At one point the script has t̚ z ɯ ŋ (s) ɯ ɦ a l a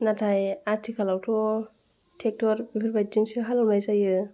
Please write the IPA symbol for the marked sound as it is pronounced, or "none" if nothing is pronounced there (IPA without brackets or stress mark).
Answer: s